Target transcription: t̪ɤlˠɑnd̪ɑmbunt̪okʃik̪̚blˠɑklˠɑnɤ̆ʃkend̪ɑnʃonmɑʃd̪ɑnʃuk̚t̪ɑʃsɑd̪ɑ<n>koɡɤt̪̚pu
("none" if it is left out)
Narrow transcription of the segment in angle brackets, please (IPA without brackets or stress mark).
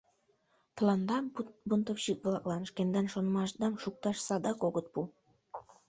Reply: none